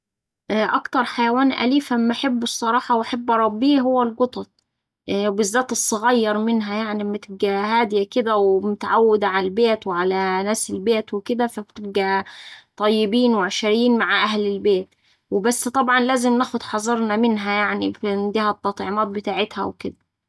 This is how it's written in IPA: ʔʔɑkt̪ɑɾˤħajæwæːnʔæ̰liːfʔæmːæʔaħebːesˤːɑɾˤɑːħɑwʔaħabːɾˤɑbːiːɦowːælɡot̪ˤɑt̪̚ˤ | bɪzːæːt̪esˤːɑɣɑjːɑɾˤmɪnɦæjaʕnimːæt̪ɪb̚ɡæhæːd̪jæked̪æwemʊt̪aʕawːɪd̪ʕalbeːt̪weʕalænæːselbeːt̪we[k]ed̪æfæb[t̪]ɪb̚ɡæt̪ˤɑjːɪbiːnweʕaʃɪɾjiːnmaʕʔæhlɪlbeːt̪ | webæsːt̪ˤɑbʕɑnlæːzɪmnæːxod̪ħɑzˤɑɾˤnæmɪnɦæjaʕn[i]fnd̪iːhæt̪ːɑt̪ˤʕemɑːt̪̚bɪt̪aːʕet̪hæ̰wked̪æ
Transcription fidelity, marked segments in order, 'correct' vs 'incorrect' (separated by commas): correct, correct, correct